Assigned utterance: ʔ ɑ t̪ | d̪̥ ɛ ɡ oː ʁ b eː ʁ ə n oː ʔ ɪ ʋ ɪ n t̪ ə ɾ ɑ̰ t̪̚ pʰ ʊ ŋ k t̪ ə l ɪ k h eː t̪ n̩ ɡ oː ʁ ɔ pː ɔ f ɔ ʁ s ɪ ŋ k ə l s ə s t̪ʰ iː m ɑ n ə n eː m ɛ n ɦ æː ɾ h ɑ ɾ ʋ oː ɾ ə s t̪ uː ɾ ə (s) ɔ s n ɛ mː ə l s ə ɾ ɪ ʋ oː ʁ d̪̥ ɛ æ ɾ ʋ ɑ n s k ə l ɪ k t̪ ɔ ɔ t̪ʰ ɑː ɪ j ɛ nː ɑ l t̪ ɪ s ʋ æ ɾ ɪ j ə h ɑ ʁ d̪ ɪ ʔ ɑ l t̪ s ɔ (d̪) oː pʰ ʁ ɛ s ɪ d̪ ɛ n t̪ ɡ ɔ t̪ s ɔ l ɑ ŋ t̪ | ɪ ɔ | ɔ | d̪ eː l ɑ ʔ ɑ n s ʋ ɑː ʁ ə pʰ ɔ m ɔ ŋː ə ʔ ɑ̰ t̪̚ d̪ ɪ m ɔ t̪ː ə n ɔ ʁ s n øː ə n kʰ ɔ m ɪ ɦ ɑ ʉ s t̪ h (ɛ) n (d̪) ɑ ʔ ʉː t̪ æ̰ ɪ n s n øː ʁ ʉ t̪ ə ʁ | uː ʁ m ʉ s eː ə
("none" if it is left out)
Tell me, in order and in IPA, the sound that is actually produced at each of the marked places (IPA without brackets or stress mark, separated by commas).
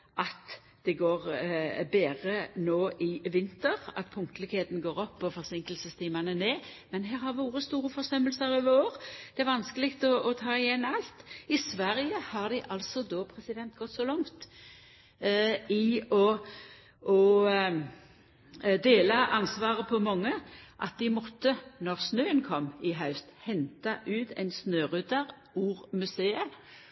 f, d̪, ɛ, t̪